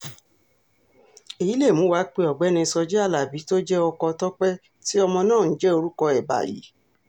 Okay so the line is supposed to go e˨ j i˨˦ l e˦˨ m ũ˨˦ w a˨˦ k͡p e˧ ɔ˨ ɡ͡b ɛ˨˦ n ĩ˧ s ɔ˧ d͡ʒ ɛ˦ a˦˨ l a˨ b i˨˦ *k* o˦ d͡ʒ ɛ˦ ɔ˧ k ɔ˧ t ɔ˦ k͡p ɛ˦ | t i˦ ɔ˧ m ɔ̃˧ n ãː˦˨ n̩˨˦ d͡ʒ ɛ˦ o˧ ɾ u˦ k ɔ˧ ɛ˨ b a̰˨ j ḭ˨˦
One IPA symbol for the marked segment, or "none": t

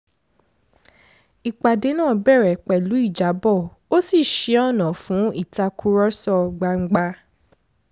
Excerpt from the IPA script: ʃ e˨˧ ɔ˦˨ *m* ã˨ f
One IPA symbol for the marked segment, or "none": n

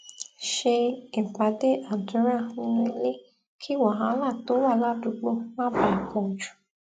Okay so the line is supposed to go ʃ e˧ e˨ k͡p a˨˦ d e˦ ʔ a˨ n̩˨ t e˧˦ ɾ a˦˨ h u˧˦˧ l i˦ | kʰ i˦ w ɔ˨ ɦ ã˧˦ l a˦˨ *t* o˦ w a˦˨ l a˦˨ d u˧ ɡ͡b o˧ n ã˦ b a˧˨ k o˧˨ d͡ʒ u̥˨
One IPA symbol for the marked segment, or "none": t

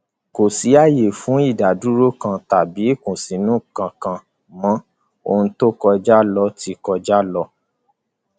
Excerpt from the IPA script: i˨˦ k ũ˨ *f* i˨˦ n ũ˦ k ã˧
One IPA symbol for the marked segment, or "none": s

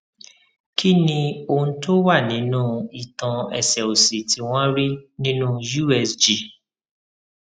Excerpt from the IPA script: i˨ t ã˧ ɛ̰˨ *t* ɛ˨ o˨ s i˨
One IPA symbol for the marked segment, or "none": s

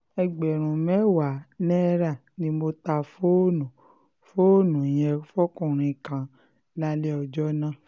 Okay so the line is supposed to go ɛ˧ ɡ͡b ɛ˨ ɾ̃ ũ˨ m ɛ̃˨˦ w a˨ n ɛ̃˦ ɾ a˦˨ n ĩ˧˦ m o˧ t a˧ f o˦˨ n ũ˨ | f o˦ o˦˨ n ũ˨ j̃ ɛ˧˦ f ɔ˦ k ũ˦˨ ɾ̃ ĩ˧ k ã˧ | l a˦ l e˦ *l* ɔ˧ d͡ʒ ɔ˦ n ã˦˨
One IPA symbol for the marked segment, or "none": none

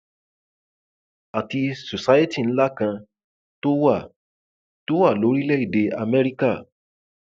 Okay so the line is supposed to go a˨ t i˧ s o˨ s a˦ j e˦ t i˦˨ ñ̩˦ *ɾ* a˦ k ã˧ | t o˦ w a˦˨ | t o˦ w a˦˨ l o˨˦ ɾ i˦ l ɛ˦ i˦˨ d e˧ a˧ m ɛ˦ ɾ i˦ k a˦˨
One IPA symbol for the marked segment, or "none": l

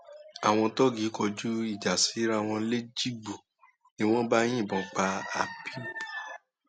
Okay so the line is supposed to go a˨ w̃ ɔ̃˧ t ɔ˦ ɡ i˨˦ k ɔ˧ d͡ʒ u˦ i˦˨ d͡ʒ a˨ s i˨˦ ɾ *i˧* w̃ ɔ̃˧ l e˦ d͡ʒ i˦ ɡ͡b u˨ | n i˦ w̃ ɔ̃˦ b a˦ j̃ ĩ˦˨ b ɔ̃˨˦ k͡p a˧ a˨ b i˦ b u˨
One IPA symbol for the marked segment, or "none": a˧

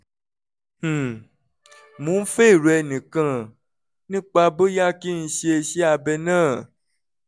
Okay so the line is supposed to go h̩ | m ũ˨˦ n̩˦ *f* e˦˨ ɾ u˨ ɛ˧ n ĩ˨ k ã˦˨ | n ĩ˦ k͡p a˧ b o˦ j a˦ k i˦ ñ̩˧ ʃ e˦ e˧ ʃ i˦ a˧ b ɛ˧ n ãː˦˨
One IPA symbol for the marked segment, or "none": f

